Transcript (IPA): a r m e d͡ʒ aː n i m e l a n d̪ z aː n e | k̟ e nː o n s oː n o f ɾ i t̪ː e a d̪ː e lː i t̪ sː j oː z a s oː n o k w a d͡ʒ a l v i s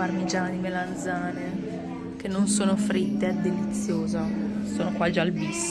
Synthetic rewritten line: a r m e d͡ʒ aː n i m e l a n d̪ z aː n e | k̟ e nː o n s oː n o f ɾ i t̪ː e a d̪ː e l i t̪ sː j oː z a s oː n o k w a d͡ʒ a l b i s